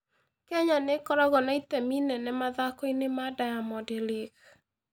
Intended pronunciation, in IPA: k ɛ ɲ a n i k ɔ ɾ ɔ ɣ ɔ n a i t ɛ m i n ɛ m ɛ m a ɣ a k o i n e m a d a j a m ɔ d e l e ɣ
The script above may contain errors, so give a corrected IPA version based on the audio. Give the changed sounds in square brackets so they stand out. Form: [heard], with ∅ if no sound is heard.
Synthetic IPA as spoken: k ɛ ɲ a n [e] k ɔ ɾ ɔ ɣ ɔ n a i t ɛ m i n ɛ [n] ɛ m a [ð] a k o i n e m a d a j a m ɔ d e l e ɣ